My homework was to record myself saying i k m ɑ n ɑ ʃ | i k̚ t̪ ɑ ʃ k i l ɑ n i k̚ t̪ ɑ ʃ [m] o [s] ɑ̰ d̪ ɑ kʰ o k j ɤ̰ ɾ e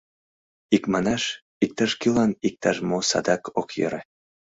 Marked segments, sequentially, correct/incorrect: correct, correct

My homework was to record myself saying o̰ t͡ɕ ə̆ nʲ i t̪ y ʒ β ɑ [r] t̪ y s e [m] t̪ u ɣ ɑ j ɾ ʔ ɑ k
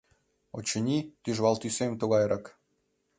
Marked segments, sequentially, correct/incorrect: incorrect, correct

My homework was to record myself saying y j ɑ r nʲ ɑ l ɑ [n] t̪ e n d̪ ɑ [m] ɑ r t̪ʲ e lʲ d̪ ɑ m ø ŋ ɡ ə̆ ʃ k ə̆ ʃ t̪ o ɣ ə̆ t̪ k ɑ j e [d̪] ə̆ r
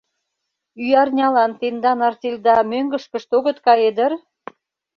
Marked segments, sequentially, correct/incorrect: correct, incorrect, correct

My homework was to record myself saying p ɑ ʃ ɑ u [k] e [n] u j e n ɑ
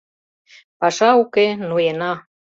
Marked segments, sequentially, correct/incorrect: correct, correct

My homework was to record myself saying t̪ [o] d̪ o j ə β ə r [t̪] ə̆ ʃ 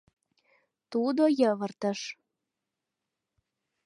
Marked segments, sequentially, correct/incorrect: incorrect, correct

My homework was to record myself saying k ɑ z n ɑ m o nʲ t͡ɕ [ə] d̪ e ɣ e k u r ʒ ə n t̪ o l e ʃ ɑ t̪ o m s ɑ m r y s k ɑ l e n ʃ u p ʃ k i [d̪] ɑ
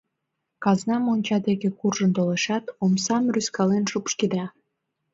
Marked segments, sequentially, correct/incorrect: incorrect, correct

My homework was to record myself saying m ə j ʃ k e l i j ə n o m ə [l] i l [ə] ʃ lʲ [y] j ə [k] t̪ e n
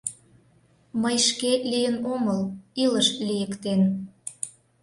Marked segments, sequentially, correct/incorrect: correct, correct, incorrect, correct

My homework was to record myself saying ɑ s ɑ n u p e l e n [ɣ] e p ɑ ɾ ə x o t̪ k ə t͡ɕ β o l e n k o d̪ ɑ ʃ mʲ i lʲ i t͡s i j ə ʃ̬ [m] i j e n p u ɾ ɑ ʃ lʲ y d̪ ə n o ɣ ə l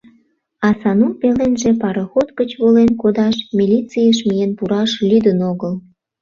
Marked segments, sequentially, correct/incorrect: incorrect, correct

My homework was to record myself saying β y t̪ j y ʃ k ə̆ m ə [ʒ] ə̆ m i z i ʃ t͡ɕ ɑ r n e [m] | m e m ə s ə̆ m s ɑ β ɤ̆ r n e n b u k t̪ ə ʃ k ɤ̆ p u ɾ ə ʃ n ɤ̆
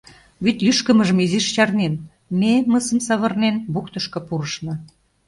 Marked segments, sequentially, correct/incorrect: correct, incorrect

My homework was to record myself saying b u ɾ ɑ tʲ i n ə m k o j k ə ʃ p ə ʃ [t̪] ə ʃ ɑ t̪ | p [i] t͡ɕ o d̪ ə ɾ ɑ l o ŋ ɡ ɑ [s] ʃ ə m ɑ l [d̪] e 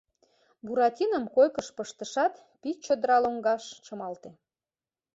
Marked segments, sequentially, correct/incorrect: correct, correct, incorrect, incorrect

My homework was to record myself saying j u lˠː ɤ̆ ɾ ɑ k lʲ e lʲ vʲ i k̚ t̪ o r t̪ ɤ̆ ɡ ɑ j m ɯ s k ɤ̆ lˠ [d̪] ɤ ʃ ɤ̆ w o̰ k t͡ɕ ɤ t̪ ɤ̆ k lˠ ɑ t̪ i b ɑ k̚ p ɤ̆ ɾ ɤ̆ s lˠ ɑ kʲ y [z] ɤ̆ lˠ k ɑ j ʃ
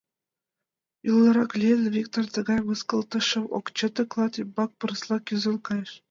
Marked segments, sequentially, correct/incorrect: incorrect, correct

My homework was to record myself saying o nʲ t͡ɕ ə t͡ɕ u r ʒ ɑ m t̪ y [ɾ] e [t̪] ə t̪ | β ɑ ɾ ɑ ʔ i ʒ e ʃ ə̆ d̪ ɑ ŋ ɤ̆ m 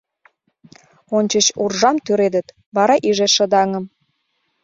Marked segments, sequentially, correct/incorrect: correct, incorrect

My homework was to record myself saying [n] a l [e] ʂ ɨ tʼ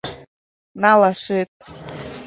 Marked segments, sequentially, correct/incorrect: correct, incorrect

